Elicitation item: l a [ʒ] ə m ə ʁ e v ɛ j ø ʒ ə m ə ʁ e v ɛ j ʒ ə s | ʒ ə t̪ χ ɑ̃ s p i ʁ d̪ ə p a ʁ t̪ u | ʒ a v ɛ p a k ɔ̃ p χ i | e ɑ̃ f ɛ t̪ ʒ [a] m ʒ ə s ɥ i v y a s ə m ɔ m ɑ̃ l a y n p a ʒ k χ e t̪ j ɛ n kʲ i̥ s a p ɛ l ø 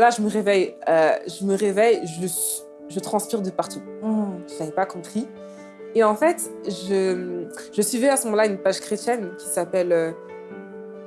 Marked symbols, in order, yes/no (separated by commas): yes, no